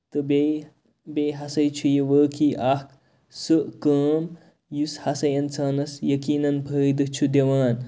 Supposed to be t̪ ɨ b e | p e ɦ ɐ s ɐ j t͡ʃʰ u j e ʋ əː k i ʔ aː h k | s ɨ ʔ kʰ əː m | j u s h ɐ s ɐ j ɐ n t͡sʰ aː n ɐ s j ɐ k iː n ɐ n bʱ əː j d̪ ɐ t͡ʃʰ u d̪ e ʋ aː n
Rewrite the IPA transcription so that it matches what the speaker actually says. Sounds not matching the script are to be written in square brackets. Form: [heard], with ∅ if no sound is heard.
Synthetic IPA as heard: t̪ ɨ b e | [b] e ɦ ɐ s ɐ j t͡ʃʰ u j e ʋ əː k i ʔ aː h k | s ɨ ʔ [k] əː m | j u s h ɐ s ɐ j ɐ n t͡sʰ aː n ɐ s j ɐ k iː n ɐ n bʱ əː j d̪ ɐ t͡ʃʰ u d̪ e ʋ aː n